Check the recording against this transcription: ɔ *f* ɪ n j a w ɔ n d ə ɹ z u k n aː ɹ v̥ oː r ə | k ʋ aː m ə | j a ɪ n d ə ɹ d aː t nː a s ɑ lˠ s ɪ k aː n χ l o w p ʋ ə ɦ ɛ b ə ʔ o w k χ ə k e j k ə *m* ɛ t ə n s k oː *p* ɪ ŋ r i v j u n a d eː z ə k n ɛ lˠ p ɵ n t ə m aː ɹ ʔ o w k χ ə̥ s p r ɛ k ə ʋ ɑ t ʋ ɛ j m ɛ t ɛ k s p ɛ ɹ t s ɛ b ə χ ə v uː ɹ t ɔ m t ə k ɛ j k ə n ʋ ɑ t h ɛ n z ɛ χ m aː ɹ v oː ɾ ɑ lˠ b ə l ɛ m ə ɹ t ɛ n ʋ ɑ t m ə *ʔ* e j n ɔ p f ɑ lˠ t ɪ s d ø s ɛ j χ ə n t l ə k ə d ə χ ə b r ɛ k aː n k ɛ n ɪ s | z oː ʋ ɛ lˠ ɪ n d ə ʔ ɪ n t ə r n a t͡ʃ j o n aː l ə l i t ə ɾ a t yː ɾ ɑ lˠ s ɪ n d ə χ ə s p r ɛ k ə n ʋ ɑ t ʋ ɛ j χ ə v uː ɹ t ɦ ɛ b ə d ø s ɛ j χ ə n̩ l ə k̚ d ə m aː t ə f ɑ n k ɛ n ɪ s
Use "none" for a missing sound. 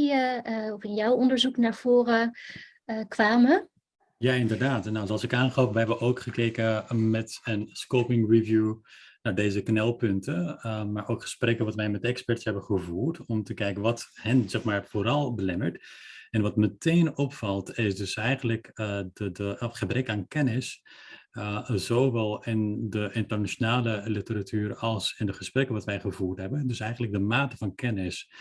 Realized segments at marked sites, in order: f, m, p, t

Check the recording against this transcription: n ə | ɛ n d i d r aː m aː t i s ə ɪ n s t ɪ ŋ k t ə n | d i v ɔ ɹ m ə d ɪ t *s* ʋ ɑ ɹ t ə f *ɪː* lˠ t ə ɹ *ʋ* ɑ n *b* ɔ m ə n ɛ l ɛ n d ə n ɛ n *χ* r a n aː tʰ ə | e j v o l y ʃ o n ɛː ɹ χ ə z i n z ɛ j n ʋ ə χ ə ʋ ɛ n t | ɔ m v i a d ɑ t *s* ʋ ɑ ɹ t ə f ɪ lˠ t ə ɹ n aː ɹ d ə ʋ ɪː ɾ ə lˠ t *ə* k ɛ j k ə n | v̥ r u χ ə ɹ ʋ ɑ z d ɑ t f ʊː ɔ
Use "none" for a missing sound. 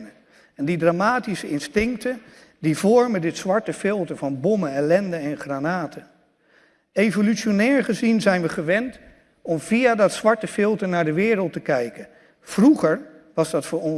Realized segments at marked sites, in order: s, ɪ, v, b, χ, s, ə

